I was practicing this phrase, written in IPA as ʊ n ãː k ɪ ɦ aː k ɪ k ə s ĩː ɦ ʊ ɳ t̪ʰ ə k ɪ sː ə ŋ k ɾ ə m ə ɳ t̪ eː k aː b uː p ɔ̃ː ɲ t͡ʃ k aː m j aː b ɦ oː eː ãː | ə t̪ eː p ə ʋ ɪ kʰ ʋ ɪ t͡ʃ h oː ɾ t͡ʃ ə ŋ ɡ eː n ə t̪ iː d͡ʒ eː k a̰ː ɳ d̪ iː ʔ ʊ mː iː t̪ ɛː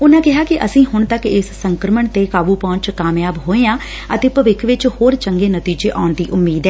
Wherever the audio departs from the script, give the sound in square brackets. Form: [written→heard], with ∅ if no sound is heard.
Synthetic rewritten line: ʊ n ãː k ɪ ɦ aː k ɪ [k→ʔ] ə s ĩː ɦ ʊ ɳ [t̪ʰ→t̪] ə k ɪ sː ə ŋ k ɾ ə m ə ɳ t̪ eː k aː b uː p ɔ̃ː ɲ t͡ʃ k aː m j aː b ɦ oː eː ãː | ə t̪ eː p ə ʋ ɪ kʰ ʋ ɪ t͡ʃ h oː ɾ t͡ʃ ə ŋ ɡ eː n ə t̪ iː d͡ʒ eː [k→ʔ] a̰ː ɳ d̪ iː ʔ ʊ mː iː [t̪→d̪] ɛː